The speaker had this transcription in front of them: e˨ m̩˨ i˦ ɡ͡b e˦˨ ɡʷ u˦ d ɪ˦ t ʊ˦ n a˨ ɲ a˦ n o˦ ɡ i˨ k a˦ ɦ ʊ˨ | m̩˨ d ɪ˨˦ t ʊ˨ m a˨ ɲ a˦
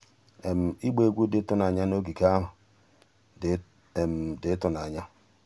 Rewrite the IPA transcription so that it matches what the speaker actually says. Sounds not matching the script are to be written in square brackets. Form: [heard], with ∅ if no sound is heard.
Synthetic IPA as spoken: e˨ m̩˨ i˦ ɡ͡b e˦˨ ɡʷ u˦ d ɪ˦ t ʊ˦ n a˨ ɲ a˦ n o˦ ɡ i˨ k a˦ ɦ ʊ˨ | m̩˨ d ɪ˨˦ t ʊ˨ [n] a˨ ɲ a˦

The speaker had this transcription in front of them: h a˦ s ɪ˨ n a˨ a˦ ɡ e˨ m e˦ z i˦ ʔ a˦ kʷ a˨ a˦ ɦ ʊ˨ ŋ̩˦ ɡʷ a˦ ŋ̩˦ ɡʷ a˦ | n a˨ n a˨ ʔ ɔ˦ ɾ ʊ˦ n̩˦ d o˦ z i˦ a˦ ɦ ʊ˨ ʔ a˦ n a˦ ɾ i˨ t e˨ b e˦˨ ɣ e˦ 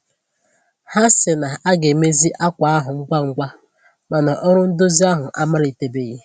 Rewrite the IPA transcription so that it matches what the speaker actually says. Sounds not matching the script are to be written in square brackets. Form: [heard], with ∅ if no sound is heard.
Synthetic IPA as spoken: h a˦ s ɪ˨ n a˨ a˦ ɡ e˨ m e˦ z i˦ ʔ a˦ kʷ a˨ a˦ ɦ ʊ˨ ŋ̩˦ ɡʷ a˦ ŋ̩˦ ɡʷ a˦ | [m] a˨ n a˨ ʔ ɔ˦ ɾ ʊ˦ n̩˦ d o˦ z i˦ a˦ ɦ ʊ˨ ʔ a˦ [m] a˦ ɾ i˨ t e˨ b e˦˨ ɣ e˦

